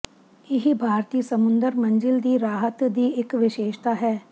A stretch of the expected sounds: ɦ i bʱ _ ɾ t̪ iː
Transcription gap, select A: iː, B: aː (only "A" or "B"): B